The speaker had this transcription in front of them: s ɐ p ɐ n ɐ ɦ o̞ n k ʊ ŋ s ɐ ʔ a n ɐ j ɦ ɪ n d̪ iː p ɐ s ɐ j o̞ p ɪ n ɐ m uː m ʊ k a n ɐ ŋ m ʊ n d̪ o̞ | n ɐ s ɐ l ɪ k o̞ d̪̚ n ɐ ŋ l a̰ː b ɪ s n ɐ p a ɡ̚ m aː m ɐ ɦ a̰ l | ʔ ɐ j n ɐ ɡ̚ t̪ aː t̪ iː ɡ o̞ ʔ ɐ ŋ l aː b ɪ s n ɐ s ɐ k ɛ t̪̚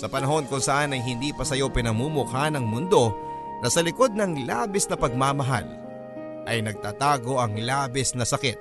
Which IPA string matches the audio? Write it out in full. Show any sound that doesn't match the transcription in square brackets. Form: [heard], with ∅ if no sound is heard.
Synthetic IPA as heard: s ɐ p ɐ n ɐ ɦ o̞ n k ʊ ŋ s ɐ ʔ a n ɐ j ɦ ɪ n d̪ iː p ɐ s ɐ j o̞ p ɪ n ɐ m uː m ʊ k a n ɐ ŋ m ʊ n d̪ o̞ | n ɐ s ɐ l ɪ k o̞ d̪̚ n ɐ ŋ l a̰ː b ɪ s n ɐ p [ɐ] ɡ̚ m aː m ɐ ɦ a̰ l | ʔ ɐ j n ɐ ɡ̚ t̪ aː t̪ [aː] ɡ o̞ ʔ ɐ ŋ l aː b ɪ s n ɐ s ɐ k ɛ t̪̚